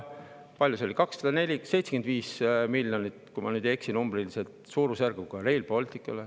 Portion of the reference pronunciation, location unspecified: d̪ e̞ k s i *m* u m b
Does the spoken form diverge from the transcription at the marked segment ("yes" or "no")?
yes